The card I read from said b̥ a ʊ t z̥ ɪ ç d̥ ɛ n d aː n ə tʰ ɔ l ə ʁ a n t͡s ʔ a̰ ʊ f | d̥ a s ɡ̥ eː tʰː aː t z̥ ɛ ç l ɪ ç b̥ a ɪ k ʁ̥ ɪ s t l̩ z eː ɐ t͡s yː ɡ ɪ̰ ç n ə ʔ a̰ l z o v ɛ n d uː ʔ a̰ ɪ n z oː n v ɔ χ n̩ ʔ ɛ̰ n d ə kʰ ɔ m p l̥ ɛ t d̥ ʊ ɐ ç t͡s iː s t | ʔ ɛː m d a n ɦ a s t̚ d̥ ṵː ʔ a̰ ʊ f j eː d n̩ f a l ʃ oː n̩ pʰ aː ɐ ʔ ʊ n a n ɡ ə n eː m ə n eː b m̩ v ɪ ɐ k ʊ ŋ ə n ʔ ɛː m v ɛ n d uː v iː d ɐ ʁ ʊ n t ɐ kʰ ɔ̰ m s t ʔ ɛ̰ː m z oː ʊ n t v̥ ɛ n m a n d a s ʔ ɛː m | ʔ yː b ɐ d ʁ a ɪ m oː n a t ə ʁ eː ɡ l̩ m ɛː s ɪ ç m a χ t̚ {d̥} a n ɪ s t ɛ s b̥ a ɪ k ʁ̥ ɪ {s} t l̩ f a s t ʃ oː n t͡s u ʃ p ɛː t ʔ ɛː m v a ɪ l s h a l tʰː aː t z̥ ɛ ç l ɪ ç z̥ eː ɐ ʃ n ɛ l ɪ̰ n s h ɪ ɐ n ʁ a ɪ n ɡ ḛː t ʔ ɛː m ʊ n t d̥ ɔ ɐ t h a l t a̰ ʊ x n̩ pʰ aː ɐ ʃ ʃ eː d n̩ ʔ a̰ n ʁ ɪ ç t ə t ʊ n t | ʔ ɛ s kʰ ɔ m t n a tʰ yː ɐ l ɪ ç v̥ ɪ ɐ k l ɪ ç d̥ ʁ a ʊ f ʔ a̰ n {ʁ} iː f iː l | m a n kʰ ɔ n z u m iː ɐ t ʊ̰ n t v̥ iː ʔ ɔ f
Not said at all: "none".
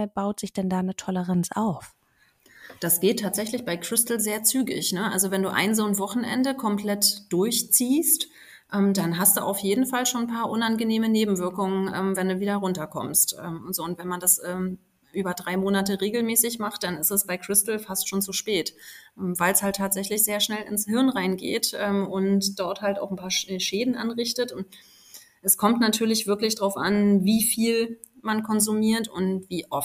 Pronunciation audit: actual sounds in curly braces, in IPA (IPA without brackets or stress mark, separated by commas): d̥, s, v